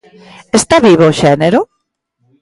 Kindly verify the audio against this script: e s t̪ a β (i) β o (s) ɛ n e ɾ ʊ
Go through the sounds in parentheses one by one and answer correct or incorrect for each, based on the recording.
correct, incorrect: ʃ

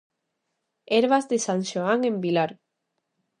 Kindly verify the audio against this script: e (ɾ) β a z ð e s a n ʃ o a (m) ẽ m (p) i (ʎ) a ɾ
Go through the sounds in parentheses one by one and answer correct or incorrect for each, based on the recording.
correct, incorrect: ŋ, incorrect: b, incorrect: l

